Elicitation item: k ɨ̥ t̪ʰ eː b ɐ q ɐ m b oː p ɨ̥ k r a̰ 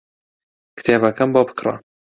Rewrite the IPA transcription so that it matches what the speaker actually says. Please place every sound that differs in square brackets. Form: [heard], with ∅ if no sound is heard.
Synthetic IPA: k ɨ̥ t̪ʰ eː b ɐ [k] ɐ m b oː [b] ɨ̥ k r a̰

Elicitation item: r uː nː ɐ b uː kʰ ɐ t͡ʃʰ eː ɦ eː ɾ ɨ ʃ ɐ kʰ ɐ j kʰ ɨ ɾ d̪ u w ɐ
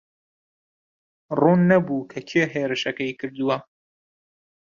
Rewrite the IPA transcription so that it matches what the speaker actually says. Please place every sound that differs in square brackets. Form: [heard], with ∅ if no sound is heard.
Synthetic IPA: r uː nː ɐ b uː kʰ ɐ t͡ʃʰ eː ɦ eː ɾ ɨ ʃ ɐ [k] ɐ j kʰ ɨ ɾ d̪ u w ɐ

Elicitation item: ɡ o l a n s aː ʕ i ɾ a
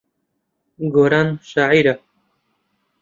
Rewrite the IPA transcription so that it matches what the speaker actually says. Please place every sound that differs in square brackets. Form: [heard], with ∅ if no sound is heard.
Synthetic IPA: ɡ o [ɾ] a n [ʃ] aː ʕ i ɾ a

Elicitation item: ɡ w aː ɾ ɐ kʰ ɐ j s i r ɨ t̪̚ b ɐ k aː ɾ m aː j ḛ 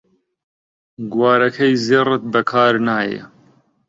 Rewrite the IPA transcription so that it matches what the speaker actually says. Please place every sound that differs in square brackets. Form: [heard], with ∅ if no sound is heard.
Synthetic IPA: ɡ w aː ɾ ɐ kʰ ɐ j [z] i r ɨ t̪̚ b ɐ [kʰ] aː ɾ [n] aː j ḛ

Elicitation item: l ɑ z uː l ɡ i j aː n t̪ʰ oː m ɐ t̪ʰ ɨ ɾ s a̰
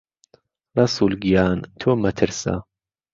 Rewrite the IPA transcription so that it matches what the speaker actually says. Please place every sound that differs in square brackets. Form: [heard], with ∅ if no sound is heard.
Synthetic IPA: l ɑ [s] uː l ɡ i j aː n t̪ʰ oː m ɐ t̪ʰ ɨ ɾ s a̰

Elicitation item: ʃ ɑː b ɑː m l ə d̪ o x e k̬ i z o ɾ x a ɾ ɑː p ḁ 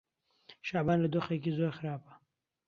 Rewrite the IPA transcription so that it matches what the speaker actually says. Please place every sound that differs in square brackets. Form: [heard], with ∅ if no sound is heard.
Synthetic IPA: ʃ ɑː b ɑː [n] l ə d̪ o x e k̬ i z o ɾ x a ɾ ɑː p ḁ

